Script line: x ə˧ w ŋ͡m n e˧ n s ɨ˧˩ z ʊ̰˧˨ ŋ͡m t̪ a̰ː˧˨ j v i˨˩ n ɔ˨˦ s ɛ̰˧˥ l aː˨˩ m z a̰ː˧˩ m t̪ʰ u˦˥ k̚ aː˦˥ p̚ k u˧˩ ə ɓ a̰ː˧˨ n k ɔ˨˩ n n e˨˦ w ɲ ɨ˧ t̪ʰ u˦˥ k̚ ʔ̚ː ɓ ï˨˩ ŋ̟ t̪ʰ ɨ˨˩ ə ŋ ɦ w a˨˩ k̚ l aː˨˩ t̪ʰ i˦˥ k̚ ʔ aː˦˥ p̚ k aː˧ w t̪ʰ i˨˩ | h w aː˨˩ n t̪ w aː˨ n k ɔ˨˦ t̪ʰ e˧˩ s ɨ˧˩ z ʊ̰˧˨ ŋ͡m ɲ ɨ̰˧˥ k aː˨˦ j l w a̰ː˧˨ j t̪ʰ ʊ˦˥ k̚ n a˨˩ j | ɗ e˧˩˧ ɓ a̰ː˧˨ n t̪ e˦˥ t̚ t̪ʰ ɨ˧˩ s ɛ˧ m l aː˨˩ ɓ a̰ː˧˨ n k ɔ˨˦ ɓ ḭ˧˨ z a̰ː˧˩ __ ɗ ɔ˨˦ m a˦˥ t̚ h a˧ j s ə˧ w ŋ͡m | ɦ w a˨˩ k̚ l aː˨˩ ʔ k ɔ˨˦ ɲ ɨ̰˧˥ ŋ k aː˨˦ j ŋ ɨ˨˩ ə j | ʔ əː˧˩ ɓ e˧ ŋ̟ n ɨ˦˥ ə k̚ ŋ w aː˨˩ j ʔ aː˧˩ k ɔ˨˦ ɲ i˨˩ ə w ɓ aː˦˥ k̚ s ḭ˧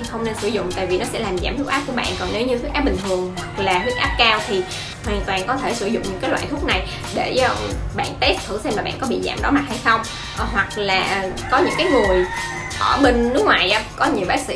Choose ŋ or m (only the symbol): m